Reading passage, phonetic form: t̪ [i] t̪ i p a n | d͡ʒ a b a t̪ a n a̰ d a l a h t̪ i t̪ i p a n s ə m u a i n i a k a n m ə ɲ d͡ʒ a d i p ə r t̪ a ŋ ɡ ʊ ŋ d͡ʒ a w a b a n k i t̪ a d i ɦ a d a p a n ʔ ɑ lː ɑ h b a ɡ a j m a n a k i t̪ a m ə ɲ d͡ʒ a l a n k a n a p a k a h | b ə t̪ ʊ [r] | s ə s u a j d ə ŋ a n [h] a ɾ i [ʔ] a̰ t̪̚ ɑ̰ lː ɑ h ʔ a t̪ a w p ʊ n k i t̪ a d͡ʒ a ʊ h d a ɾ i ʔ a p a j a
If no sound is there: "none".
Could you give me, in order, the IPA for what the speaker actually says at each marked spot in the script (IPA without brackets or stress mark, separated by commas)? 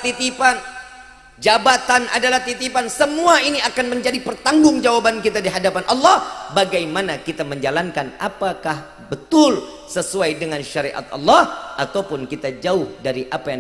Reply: i, l, ʃ, ʔ